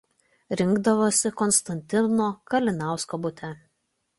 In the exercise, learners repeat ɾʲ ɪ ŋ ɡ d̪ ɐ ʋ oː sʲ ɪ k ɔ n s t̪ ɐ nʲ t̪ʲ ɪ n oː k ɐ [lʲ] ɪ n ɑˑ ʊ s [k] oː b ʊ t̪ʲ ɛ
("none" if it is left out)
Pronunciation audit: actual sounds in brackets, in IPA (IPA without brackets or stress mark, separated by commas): lʲ, k